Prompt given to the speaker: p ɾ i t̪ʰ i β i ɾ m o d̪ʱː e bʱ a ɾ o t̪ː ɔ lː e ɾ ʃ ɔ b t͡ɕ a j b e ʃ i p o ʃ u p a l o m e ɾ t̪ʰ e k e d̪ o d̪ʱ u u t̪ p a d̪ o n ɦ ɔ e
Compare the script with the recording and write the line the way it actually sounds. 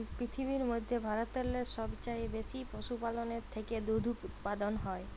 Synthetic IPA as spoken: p ɾ i t̪ʰ i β i ɾ m o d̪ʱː e bʱ a ɾ o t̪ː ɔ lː e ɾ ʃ ɔ b t͡ɕ a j b e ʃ i p o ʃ u p a l o n e ɾ t̪ʰ e k e d̪ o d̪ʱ u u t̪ p a d̪ o n ɦ ɔ e